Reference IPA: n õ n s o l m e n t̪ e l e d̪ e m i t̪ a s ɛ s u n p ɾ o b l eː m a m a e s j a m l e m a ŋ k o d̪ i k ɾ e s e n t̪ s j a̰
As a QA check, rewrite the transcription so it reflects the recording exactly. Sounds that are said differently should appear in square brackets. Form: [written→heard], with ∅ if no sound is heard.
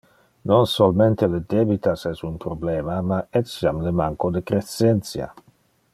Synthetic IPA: n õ n s o l m e n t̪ e l e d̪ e [m→b] i t̪ a s ɛ s u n p ɾ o b l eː m a m a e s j a m l e m a ŋ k o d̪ [i→e] k ɾ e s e n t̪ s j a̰